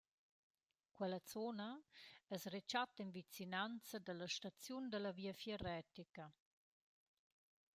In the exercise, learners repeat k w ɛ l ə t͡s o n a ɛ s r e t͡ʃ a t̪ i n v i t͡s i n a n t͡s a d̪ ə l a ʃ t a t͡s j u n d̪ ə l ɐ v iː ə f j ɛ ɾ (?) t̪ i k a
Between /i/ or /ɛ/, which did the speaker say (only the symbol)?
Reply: ɛ